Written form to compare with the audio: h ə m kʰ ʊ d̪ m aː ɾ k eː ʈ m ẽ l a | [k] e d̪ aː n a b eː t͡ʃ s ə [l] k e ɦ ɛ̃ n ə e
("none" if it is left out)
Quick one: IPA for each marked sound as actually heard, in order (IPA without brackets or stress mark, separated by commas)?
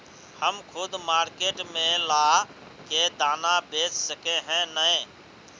k, none